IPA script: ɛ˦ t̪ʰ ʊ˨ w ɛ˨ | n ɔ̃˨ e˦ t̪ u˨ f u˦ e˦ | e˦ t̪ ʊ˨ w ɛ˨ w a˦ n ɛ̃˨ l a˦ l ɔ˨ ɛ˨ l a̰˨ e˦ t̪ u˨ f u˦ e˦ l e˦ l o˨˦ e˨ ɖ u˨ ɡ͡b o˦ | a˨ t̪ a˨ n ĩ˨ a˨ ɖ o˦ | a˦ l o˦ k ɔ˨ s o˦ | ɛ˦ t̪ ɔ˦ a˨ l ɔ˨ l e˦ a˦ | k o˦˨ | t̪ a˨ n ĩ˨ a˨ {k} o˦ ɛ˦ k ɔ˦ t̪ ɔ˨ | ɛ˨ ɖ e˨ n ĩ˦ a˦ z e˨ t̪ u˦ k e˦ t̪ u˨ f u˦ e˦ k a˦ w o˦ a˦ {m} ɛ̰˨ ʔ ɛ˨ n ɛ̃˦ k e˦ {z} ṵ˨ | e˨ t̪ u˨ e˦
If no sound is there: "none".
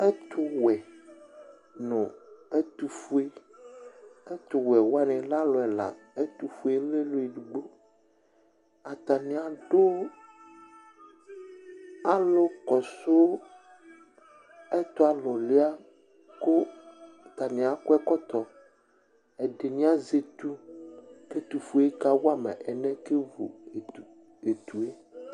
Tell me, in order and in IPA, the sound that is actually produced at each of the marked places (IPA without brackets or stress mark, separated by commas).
k, m, v